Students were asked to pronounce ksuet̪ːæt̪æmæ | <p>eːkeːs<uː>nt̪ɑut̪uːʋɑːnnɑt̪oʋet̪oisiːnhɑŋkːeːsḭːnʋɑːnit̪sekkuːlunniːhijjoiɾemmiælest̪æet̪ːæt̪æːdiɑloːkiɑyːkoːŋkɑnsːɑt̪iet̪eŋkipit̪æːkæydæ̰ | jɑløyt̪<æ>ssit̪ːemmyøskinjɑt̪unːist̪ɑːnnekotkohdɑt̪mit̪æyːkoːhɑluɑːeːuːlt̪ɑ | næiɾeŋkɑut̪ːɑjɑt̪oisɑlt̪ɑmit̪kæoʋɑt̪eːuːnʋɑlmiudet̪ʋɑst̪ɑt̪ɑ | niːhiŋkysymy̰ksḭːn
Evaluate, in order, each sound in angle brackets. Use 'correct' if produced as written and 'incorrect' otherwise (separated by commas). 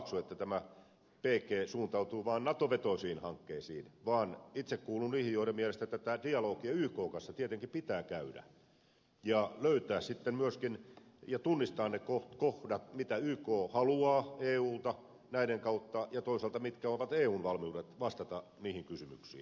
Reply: correct, correct, incorrect